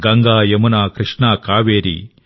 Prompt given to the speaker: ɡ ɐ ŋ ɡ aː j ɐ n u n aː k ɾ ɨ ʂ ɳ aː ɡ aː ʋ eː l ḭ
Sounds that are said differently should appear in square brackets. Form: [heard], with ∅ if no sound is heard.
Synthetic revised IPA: ɡ ɐ ŋ ɡ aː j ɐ [m] u n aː k ɾ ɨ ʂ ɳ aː [k] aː ʋ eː [ɾ] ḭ